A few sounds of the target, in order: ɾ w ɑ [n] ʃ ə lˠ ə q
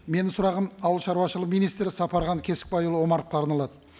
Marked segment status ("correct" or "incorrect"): incorrect